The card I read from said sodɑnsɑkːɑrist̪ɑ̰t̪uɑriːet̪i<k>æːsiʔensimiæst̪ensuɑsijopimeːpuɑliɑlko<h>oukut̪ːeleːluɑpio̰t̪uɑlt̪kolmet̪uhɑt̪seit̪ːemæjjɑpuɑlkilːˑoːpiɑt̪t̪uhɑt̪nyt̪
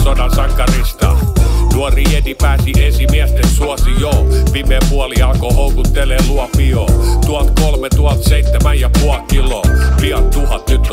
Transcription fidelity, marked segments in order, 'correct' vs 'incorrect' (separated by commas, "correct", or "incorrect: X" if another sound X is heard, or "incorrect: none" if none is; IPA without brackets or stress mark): incorrect: p, correct